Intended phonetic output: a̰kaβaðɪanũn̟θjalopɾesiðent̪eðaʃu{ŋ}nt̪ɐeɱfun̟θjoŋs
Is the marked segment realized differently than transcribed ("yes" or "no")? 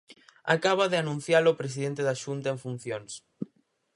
yes